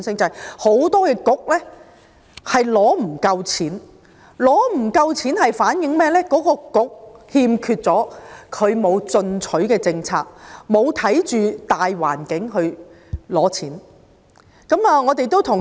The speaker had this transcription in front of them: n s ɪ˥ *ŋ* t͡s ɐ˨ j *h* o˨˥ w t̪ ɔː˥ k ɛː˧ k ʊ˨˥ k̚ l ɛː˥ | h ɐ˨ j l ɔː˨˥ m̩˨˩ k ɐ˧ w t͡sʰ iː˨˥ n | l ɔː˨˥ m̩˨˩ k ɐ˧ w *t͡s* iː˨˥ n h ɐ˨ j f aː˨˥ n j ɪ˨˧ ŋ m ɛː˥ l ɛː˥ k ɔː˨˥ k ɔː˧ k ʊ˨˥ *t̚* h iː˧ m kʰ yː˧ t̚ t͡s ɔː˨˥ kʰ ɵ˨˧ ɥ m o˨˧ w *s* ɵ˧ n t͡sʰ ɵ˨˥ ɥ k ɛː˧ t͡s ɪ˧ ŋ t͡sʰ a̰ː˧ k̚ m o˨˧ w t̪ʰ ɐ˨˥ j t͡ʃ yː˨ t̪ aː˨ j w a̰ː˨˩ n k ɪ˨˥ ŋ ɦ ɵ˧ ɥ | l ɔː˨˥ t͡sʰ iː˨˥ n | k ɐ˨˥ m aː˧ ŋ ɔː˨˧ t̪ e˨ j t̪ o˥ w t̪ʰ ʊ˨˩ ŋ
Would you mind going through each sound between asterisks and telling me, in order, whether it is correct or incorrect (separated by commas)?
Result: correct, correct, incorrect, incorrect, incorrect